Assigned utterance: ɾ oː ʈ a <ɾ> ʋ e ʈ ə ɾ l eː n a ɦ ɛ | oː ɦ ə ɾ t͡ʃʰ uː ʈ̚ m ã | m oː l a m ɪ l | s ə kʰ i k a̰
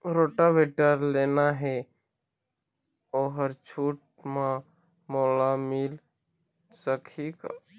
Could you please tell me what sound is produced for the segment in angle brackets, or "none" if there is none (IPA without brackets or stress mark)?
none